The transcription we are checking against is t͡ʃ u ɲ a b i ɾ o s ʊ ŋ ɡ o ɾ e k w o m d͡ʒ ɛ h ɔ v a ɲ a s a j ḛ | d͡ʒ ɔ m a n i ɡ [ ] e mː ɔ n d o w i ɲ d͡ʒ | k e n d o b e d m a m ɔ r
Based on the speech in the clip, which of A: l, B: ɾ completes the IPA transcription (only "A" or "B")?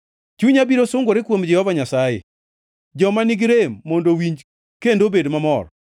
B